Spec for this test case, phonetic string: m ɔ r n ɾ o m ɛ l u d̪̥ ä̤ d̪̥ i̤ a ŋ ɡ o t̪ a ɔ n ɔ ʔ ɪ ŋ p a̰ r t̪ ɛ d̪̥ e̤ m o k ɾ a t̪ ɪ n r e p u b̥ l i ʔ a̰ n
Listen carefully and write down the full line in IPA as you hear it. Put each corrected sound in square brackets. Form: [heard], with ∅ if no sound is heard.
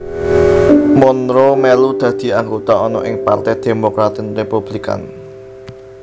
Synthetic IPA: m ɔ [∅] n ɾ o m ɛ l u d̪̥ ä̤ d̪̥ i̤ a ŋ ɡ o t̪ a ɔ n ɔ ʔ ɪ ŋ p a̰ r t̪ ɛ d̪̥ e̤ m o k ɾ a t̪ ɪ n r e p u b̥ l i [k] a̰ n